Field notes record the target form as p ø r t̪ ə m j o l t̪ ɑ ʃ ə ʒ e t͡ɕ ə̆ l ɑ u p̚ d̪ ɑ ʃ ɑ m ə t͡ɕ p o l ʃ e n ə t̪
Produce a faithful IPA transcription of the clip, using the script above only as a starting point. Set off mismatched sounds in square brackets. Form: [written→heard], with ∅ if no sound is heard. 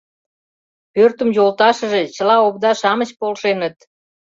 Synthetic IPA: p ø r t̪ ə m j o l t̪ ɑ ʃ ə ʒ e t͡ɕ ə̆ l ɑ [u→o] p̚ d̪ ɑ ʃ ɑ m ə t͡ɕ p o l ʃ e n ə t̪